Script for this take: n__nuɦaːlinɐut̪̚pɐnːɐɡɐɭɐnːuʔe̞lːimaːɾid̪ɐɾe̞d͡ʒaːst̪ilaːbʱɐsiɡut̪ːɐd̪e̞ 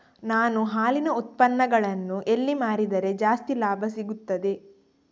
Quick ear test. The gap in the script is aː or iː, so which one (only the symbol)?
aː